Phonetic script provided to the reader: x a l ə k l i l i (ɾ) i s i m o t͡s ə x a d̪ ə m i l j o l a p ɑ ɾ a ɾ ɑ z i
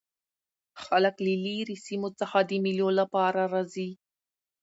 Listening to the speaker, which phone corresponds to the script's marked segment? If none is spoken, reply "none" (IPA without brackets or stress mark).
ɾ